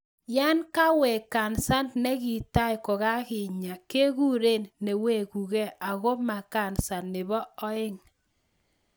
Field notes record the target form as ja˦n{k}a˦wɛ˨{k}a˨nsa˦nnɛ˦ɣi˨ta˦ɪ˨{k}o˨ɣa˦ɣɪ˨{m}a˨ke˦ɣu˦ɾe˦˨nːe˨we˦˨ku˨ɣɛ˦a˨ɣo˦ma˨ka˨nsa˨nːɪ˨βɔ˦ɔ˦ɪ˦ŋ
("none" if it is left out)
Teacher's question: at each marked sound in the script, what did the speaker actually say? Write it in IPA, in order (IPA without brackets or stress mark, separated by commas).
k, k, k, ɲ